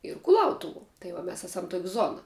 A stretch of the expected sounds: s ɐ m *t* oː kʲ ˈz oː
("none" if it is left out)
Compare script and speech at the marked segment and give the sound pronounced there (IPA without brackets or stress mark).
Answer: t